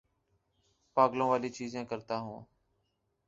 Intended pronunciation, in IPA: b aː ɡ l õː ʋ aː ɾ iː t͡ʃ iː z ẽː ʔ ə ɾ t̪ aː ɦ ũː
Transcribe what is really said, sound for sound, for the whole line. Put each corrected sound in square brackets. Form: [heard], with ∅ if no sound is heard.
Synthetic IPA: [p] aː ɡ l õː ʋ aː [l] iː t͡ʃ iː z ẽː [k] ə ɾ t̪ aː ɦ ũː